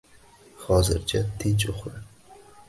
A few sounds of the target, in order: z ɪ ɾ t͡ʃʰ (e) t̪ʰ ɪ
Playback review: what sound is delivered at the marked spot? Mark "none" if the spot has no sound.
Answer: a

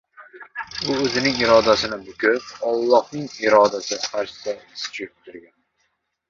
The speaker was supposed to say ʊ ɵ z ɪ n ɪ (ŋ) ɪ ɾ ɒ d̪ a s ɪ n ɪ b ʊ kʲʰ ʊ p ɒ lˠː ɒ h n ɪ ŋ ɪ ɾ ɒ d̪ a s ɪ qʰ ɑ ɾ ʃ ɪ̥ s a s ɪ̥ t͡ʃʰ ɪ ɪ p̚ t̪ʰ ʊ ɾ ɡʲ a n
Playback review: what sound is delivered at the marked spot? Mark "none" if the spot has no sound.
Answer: ŋ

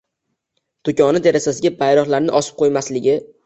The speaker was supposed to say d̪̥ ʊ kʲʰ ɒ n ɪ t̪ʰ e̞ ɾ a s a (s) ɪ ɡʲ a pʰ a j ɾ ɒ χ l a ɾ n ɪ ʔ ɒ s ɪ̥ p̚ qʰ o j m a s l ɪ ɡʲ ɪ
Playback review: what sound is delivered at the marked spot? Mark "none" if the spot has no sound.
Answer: s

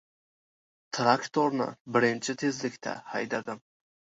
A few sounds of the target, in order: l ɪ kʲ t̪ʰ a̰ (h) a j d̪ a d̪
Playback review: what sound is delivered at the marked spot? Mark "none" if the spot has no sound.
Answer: h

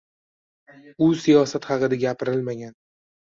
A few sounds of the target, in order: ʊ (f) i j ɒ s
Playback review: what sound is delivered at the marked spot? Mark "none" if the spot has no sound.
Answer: s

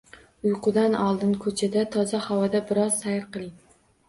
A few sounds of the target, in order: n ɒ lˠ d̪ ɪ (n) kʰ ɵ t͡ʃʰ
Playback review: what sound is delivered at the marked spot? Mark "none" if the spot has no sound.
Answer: n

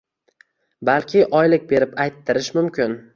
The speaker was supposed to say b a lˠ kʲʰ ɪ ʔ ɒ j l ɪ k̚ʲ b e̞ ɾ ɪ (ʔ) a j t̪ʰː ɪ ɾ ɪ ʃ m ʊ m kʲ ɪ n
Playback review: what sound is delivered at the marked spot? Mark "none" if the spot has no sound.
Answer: p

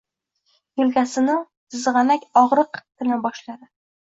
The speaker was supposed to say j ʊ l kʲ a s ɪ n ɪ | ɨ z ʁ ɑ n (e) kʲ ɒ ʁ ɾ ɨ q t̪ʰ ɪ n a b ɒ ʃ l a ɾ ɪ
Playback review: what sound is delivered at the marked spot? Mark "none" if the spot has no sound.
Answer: a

